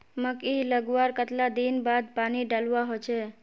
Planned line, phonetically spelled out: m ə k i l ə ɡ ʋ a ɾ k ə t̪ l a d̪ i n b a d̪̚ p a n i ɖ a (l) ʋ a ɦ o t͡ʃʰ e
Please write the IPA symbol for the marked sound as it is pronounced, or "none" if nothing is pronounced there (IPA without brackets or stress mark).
l